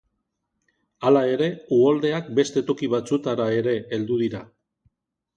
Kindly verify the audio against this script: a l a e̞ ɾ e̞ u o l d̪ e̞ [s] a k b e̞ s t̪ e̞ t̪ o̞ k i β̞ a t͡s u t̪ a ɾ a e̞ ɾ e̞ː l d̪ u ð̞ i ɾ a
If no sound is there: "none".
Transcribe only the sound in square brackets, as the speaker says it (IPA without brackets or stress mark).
none